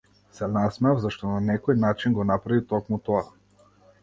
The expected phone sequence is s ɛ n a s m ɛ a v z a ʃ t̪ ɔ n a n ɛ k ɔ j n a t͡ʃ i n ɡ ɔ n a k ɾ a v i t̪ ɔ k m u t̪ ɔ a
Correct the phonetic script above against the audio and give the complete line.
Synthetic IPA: s ɛ n a s m ɛ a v z a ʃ t̪ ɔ n a n ɛ k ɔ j n a t͡ʃ i n ɡ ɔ n a p ɾ a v i t̪ ɔ k m u t̪ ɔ a